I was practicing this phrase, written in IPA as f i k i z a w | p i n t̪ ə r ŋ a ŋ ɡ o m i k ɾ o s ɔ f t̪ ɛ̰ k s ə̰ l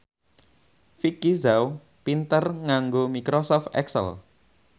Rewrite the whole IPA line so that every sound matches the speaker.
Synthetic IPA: f i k i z a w | p i n t̪ ə r ŋ a ŋ ɡ o m i k ɾ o s ɔ f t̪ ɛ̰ k s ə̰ l

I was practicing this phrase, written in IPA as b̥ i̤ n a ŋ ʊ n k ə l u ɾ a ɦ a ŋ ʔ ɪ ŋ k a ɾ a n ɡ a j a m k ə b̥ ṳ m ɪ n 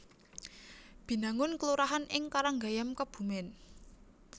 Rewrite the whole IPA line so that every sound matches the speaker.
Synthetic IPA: b̥ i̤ n a ŋ ʊ n k ə l u ɾ a ɦ a n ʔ ɪ ŋ k a ɾ a ŋ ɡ a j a m k ə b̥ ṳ m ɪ n

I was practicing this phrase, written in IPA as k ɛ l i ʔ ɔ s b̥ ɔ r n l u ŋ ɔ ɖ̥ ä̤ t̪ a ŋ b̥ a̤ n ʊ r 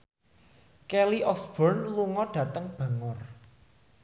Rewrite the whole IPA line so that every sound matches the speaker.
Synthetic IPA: k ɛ l i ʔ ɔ s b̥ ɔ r n l u ŋ ɔ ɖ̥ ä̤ t̪ ə ŋ b̥ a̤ ŋ ʊ r

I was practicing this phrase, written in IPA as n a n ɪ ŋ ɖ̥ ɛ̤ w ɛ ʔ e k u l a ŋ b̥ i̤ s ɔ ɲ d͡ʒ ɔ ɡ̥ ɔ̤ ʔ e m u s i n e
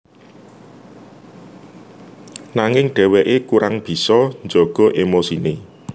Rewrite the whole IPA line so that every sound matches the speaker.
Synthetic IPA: n a ŋ ɪ ŋ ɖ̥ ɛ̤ w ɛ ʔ e k u ɾ a ŋ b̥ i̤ s ɔ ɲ d͡ʒ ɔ ɡ̥ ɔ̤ ʔ e m o s i n e

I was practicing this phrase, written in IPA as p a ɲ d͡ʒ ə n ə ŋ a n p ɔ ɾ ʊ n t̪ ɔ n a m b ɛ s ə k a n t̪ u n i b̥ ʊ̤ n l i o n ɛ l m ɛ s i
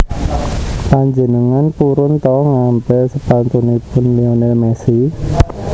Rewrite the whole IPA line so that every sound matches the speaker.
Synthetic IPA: p a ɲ d͡ʒ ə n ə ŋ a n p u ɾ ʊ n t̪ ɔ ŋ a m b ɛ s ə p a n t̪ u n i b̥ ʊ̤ n l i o n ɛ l m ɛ s i

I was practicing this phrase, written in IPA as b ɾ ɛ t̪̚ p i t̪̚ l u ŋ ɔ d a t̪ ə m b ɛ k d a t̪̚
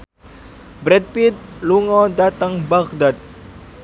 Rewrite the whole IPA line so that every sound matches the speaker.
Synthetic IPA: b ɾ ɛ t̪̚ p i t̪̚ l u ŋ ɔ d a t̪ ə ŋ b a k d a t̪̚

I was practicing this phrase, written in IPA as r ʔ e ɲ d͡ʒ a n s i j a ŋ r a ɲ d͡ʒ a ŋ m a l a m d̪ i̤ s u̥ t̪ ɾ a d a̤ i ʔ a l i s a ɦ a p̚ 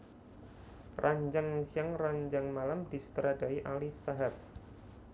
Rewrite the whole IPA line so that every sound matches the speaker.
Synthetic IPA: r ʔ a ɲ d͡ʒ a ŋ s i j a ŋ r a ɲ d͡ʒ a ŋ m a l a m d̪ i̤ s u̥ t̪ ɾ a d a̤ i ʔ a l i s a ɦ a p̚

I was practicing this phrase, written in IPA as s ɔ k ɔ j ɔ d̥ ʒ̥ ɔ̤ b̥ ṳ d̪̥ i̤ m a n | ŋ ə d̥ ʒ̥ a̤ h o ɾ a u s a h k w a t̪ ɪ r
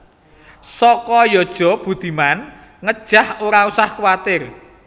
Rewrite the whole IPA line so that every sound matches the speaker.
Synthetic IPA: s ɔ k ɔ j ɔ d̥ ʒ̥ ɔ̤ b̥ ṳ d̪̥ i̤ m a n | ŋ ə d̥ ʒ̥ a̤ h o ɾ a u s a h k w a t̪ ɪ r

